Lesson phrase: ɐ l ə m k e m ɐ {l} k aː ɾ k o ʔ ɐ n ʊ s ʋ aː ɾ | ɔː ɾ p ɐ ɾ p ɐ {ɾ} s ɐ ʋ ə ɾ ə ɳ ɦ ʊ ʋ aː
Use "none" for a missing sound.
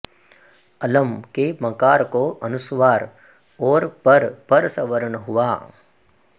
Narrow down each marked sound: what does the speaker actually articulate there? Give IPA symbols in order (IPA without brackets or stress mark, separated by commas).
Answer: none, ɾ